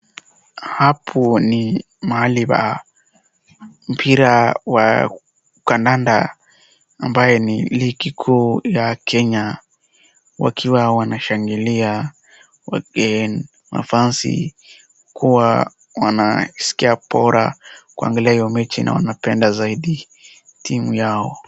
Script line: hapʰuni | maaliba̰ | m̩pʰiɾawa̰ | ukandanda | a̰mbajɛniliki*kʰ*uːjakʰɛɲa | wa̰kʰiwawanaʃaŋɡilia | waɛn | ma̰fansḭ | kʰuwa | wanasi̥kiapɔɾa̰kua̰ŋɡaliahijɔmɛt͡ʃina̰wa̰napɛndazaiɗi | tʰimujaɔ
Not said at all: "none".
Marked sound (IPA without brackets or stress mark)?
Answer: kʰ